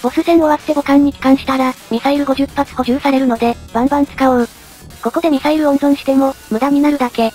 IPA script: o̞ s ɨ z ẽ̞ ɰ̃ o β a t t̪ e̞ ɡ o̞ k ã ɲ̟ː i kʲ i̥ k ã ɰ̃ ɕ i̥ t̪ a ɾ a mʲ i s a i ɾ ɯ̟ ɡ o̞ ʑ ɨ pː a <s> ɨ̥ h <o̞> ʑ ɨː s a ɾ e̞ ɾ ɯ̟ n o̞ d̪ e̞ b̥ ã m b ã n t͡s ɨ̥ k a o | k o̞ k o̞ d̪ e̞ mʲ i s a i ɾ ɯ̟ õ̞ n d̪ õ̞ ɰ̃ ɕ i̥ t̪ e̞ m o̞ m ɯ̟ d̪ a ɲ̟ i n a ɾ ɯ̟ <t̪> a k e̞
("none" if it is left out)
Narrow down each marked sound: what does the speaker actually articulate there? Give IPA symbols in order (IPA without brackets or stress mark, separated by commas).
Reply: t͡s, o̞, d̪